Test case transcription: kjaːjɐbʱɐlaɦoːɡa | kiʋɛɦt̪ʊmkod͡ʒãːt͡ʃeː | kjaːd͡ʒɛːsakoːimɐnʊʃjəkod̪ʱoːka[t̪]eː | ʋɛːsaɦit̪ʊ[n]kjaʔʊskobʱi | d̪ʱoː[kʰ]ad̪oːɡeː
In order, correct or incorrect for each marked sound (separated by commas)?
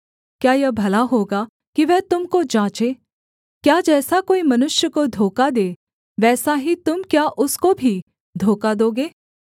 incorrect, incorrect, incorrect